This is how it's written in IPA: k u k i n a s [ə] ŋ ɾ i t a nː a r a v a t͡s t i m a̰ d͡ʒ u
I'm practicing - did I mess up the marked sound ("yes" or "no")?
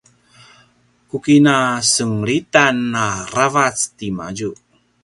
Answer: no